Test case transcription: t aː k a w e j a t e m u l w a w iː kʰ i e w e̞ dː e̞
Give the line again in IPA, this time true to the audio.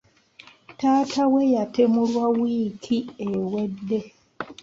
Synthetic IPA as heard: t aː t a w e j a t e m u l w a w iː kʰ i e w e̞ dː e̞